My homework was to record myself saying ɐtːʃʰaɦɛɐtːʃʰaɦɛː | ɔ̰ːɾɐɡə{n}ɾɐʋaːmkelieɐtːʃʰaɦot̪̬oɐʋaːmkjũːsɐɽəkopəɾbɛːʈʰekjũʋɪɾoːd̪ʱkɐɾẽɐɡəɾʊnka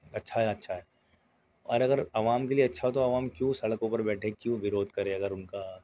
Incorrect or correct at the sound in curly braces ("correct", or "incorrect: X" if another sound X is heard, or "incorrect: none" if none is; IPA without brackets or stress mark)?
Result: incorrect: none